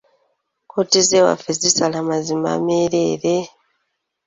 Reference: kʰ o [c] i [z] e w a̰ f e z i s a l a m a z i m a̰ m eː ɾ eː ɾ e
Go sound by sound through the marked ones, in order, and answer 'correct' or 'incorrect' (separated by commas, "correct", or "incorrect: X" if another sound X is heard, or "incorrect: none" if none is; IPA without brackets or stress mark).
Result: incorrect: t, correct